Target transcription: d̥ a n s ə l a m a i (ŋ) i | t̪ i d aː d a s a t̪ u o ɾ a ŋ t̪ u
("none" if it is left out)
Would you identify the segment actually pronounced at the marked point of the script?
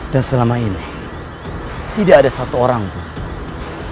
n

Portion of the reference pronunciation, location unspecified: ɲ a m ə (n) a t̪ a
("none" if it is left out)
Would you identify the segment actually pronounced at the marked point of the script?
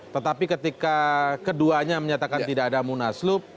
ɲ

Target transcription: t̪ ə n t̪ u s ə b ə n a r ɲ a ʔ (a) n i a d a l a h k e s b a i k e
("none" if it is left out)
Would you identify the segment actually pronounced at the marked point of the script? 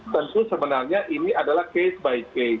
i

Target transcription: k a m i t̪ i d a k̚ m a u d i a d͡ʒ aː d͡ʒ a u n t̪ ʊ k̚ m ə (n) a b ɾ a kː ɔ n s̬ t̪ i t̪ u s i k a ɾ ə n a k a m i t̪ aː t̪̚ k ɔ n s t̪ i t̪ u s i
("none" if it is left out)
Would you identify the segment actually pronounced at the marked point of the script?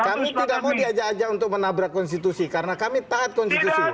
n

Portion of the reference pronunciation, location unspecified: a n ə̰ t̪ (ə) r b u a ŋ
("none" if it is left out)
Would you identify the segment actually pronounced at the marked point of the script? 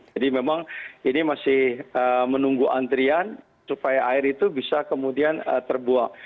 ə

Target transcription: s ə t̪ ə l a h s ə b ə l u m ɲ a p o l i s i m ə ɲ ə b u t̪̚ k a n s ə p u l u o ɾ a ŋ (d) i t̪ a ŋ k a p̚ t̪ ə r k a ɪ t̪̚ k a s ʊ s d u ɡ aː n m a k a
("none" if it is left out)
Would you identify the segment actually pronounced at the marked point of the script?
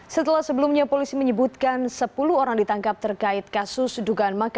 d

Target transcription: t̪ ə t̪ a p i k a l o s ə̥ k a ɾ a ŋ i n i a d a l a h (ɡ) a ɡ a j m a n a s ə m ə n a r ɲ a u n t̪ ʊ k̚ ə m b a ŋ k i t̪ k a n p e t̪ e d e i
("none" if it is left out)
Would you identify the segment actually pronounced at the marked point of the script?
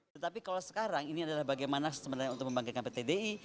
b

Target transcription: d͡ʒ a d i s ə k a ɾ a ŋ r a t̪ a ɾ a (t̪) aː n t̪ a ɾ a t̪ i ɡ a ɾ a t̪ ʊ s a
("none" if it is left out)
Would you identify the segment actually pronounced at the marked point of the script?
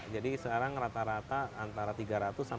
t̪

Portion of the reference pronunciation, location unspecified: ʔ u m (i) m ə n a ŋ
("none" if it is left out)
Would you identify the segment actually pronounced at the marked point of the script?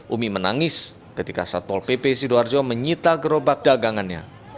i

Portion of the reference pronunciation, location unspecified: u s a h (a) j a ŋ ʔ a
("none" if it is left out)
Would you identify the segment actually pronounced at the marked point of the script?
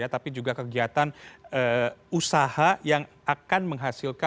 a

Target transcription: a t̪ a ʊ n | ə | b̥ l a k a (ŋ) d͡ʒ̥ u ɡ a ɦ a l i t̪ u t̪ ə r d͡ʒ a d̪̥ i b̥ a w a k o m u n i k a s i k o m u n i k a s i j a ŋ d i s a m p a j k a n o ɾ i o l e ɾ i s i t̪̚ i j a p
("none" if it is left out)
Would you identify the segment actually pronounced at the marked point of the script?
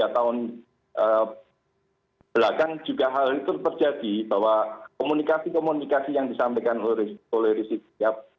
ŋ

